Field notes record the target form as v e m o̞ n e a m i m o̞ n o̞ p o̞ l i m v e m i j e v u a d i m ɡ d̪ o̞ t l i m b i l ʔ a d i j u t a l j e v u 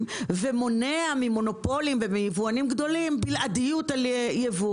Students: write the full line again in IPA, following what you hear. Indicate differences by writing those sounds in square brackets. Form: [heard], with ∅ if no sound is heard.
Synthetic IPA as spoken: v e m o̞ n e a m i m o̞ n o̞ p o̞ l i m v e m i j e v u a [n] i m ɡ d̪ o̞ [∅] l i m b i l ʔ a d i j u t a l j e v u